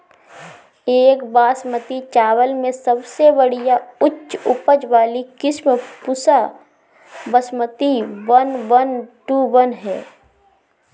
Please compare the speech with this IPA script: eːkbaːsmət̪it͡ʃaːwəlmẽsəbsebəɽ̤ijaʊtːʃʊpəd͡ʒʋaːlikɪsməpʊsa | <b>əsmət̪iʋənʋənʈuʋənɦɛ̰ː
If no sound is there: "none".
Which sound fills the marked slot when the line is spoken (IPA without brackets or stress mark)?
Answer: b